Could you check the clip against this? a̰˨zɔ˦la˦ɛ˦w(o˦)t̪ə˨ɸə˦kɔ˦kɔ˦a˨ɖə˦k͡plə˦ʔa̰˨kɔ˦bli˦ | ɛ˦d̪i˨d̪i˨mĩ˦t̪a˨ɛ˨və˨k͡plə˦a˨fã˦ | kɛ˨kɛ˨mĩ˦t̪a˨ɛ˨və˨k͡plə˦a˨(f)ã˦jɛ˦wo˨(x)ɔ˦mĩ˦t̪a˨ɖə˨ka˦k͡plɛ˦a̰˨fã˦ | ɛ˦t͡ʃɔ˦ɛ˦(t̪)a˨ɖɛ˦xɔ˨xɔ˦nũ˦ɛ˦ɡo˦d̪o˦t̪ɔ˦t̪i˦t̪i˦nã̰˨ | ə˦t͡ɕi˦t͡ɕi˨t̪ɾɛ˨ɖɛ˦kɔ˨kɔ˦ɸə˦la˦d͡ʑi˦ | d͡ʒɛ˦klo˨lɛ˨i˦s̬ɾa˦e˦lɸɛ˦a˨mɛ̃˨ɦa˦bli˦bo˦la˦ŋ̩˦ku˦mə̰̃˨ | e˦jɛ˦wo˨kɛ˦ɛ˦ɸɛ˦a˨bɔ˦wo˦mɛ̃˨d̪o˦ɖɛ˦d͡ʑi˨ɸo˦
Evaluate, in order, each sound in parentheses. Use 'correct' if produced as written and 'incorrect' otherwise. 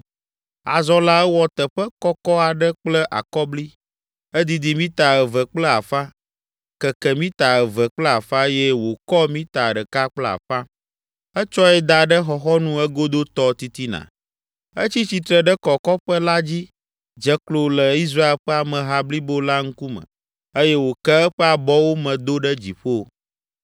incorrect, correct, incorrect, incorrect

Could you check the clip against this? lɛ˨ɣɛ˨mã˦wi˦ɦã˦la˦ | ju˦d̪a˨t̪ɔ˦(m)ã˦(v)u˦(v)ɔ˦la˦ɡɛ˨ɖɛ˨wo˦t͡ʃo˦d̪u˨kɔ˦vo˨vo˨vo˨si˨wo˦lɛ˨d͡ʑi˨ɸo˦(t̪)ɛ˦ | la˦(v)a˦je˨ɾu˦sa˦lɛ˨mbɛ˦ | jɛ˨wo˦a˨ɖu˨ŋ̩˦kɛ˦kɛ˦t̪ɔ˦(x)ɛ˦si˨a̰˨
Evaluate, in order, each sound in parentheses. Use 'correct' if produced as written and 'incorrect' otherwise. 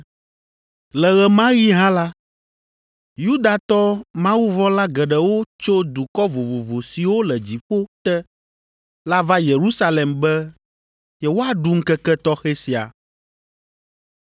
correct, incorrect, correct, correct, correct, correct

